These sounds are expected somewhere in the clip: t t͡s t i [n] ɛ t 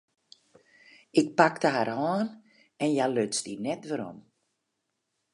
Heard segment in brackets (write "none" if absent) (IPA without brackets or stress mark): n